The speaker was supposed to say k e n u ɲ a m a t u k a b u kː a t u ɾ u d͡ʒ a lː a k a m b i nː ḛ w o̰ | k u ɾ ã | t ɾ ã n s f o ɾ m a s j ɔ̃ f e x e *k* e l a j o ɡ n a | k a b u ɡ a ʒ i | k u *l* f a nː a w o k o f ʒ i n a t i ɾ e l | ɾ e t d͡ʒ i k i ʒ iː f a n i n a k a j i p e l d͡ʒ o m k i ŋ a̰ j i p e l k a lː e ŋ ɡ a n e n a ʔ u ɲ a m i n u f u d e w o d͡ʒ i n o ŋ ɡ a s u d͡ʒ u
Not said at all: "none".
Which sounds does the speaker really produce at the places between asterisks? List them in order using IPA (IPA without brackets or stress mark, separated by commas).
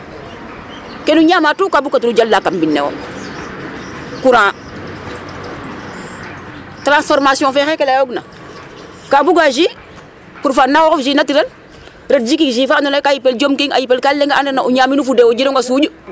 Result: k, ɾ